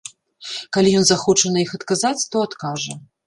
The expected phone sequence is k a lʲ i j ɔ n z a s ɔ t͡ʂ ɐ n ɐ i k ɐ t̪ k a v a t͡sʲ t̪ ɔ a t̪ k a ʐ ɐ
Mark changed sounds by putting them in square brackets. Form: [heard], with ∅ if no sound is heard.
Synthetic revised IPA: k a lʲ i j ɔ n z a [x] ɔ t͡ʂ ɐ n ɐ i [x] ɐ t̪ k a [z] a t͡sʲ t̪ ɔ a t̪ k a ʐ ɐ